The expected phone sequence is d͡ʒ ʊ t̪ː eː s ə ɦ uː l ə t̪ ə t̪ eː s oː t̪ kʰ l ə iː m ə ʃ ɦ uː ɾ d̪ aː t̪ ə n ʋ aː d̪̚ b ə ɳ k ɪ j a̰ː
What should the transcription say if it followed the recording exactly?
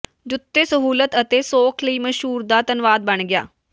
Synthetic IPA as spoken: d͡ʒ ʊ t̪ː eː s ə ɦ uː l ə t̪ ə t̪ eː s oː kʰ l ə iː m ə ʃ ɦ uː ɾ d̪ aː t̪ ə n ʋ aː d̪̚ b ə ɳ ɡ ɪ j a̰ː